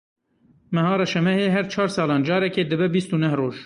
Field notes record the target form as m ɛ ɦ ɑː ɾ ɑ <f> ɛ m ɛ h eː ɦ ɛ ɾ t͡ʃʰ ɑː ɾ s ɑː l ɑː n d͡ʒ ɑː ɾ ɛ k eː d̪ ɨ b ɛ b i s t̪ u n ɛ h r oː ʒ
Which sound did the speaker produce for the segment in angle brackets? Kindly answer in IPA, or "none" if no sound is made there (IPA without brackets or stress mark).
ʃ